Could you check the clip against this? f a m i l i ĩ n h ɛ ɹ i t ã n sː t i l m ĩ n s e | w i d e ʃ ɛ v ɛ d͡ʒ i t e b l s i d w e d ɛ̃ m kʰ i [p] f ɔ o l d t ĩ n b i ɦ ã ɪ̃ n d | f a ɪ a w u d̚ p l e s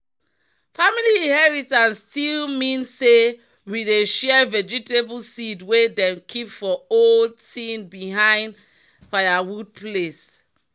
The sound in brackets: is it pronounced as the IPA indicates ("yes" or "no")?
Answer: yes